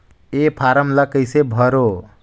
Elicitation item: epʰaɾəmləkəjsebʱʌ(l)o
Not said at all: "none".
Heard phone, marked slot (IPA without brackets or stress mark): ɾ